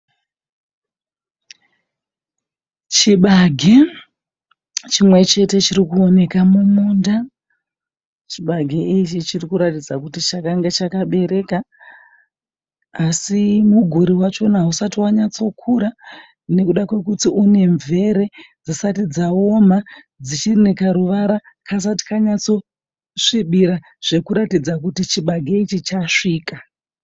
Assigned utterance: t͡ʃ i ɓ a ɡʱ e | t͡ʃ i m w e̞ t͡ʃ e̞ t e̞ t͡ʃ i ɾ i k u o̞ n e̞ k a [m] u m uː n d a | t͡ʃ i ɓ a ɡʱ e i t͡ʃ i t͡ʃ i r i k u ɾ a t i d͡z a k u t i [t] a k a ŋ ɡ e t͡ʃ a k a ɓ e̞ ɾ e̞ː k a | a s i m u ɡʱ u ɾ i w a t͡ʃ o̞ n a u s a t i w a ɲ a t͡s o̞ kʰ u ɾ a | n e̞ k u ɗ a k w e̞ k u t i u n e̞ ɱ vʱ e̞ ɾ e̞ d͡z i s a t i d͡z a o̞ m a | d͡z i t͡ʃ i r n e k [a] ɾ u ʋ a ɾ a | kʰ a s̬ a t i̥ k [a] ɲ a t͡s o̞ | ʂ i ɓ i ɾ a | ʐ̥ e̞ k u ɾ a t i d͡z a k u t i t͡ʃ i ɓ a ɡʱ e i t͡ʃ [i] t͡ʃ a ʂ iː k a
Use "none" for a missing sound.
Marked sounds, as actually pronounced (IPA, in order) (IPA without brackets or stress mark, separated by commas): m, t͡ʃ, a, a, i